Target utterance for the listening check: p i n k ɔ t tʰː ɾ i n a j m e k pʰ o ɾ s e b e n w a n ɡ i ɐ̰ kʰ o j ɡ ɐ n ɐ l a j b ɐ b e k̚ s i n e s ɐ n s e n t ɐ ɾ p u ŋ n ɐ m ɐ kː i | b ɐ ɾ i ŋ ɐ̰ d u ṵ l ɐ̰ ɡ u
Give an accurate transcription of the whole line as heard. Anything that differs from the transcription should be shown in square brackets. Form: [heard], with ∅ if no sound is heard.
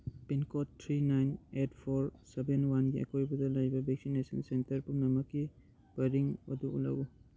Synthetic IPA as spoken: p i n k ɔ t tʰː ɾ i n a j [n] e [t] pʰ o ɾ s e b e n w a n ɡ i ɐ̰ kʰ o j [b] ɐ [d] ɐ l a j b ɐ b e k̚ s i n e s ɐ n s e n t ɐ ɾ p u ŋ n ɐ m ɐ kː i | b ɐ ɾ i ŋ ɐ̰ d u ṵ l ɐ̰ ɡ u